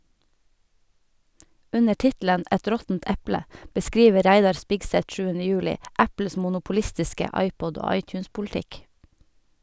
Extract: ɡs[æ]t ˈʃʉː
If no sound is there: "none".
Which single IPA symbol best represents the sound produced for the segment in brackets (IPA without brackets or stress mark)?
ɛ